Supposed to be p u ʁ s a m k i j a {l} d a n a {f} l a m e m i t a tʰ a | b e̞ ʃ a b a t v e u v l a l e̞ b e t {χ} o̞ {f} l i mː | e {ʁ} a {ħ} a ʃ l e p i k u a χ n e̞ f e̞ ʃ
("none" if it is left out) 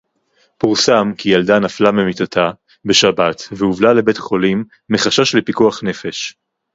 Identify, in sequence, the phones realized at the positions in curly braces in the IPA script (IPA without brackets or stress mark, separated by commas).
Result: l, f, χ, none, χ, ʃ